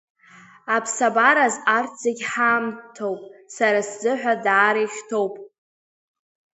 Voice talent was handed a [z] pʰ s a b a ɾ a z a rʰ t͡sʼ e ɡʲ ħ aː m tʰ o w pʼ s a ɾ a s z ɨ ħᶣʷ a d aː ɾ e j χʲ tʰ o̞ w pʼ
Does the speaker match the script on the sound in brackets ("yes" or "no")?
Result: no